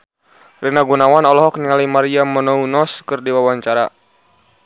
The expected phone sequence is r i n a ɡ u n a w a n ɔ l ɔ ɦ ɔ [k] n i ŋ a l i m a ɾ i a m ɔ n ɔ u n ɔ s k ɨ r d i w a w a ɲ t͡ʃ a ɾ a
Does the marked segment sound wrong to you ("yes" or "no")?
no